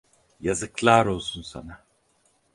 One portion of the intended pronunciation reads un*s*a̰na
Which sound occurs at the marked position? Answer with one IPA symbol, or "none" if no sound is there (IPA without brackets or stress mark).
s